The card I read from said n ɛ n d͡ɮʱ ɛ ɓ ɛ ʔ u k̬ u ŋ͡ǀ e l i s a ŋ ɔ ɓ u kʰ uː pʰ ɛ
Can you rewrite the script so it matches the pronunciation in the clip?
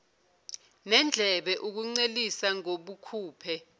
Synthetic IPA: n ɛ n d͡ɮʱ ɛ ɓ ɛ ʔ u k̬ u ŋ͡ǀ e l i s a ŋ o ɓ u kʰ uː pʰ ɛ

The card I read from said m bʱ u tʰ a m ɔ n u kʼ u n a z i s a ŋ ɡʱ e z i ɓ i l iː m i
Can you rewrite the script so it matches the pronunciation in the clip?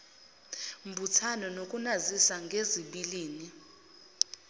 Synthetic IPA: m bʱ u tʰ a n ɔ n o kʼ u n a z i s a ŋ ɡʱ e z i ɓ i l iː n i

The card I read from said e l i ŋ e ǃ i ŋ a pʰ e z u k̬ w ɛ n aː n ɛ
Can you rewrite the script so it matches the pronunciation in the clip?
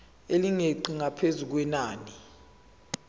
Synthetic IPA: e l i ŋ e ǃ i ŋ a pʰ e z u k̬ w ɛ n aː n i

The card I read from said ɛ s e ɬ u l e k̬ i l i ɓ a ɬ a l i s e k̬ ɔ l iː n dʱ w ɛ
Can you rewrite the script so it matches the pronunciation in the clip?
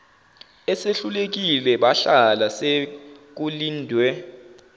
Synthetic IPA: ɛ s e ɬ u l e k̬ i l ɛ ɓ a ɬ a l a s e k̬ u l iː n dʱ w ɛ

